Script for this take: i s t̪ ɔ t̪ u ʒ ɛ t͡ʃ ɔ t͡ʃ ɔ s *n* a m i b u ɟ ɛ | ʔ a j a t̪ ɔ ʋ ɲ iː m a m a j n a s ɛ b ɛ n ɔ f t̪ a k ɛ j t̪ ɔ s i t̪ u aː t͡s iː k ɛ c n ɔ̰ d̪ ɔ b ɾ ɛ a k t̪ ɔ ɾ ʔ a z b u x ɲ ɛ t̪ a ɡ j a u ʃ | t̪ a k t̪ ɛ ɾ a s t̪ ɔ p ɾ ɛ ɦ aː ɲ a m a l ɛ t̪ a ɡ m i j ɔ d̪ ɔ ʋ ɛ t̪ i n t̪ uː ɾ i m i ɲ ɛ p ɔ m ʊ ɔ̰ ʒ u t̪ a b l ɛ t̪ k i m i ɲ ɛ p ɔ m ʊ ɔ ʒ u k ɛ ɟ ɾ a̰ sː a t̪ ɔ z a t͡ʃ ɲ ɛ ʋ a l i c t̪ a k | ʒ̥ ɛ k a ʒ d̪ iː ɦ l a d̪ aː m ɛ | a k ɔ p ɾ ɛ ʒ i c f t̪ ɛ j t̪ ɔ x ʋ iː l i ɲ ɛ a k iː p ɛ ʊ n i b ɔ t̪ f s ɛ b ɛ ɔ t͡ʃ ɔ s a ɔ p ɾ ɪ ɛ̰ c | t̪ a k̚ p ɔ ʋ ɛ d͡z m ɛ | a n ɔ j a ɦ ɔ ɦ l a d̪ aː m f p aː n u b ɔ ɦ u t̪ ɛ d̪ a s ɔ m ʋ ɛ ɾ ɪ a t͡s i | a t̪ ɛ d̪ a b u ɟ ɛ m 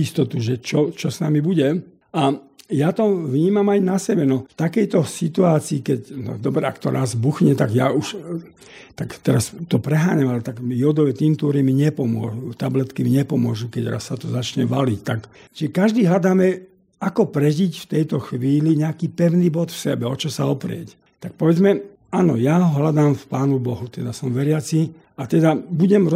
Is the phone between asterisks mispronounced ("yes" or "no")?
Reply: no